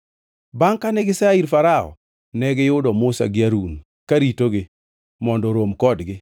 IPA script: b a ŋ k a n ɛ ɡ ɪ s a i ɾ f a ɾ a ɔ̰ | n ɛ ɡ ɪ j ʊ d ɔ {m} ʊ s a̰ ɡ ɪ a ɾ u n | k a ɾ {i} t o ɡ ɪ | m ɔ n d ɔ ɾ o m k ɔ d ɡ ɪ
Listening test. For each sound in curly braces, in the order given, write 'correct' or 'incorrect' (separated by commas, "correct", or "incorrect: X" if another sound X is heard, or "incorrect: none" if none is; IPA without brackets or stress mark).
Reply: correct, correct